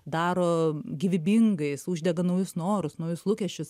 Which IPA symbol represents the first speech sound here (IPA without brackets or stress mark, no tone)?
d̪